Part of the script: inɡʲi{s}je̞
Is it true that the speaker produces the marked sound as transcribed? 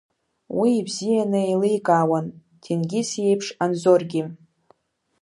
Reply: yes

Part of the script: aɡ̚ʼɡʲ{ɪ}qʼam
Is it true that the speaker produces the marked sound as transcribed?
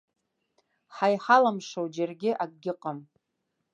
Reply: yes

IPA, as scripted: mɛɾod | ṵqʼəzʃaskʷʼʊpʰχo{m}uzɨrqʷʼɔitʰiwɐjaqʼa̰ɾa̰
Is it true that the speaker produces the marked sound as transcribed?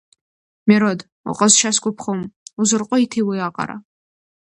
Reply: yes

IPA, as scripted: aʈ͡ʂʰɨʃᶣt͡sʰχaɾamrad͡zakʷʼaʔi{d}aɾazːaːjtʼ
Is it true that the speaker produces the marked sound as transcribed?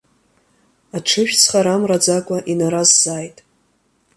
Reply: no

